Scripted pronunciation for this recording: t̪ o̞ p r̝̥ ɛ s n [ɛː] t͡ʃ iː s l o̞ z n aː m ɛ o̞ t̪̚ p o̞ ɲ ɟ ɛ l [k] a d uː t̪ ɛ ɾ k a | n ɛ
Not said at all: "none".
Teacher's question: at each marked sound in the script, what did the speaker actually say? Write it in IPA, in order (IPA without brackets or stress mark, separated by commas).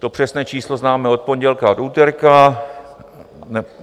ɛː, k